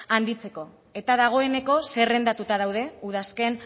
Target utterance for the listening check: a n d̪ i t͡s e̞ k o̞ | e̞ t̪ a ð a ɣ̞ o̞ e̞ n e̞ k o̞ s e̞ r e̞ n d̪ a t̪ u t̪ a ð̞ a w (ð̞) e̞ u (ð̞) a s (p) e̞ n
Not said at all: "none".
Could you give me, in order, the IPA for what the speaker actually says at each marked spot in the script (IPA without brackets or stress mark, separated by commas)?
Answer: ð̞, ð̞, k